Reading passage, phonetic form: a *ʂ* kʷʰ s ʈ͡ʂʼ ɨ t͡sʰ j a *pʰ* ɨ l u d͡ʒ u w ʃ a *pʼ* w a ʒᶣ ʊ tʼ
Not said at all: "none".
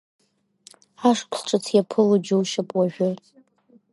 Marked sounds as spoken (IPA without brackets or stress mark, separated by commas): ʂ, pʰ, pʼ